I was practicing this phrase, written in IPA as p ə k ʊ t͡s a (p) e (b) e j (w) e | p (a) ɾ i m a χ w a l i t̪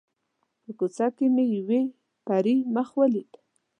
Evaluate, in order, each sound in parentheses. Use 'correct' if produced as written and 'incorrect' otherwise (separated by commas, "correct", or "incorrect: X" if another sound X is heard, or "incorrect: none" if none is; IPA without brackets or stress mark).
incorrect: k, incorrect: m, correct, correct